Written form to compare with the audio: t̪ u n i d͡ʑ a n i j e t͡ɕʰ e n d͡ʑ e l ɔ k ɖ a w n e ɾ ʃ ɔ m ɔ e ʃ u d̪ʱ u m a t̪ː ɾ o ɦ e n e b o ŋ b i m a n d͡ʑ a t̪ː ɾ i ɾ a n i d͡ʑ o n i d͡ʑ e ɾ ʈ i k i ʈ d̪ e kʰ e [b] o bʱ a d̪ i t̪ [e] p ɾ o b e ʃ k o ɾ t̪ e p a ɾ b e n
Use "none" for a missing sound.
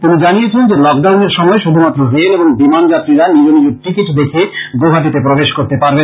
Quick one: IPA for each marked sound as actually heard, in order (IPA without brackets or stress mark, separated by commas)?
ɡ, e